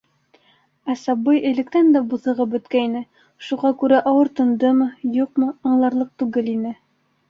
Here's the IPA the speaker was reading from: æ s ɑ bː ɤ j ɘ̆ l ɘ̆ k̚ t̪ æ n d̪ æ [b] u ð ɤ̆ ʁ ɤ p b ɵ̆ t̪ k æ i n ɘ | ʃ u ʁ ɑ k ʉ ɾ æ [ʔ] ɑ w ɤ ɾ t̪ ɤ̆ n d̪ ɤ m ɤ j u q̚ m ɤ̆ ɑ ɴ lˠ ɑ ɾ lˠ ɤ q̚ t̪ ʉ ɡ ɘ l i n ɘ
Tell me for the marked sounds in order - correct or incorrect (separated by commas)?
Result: correct, correct